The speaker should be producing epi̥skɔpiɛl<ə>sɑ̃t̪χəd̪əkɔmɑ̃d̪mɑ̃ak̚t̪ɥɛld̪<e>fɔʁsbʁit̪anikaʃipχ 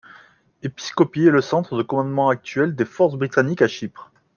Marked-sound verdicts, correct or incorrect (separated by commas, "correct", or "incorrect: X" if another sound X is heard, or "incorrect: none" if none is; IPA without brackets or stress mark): correct, correct